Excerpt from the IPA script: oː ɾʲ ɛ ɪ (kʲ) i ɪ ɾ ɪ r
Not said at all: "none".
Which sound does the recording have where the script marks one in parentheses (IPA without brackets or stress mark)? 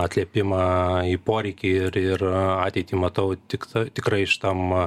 kʲ